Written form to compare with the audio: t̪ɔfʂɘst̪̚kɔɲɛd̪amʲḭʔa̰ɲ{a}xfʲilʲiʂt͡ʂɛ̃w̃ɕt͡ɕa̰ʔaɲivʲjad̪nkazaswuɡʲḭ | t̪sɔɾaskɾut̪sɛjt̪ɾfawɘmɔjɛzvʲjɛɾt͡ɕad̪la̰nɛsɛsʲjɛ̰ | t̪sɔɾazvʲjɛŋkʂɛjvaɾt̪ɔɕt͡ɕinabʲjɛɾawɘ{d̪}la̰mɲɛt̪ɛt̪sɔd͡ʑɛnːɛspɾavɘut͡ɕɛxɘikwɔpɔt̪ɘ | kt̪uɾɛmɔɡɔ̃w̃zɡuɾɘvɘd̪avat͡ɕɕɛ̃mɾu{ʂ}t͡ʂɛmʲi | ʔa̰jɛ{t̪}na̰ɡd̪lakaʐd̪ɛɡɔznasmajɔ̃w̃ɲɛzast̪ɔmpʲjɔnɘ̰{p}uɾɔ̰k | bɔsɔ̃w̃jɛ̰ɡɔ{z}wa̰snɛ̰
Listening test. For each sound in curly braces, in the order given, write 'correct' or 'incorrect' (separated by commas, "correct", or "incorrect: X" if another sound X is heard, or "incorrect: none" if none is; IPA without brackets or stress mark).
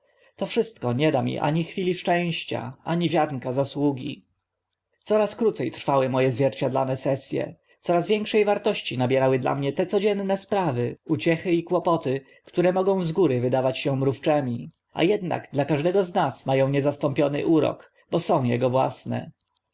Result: incorrect: i, correct, incorrect: f, incorrect: d̪, incorrect: ʔ, incorrect: v